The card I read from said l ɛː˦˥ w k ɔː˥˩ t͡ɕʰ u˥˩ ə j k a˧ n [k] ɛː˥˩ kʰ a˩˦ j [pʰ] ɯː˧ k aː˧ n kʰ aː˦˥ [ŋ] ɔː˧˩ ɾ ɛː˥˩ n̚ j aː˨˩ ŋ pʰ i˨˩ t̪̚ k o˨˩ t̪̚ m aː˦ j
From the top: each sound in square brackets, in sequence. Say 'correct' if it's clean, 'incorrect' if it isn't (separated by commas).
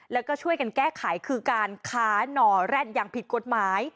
correct, incorrect, incorrect